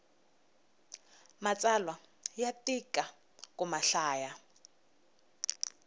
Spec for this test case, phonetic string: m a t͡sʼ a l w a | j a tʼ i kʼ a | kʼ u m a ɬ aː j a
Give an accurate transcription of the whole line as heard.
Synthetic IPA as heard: m a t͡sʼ a l w a | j a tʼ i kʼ a | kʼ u m a ɬ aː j a